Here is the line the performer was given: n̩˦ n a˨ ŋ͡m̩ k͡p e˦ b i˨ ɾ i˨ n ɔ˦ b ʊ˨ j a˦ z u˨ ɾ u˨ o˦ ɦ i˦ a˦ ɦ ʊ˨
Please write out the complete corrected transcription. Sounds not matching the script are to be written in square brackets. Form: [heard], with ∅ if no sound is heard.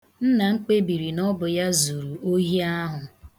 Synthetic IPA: n̩˦ n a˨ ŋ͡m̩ k͡p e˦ b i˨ ɾ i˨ n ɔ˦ b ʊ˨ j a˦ z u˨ ɾ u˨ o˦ ɦ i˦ a˦ ɦ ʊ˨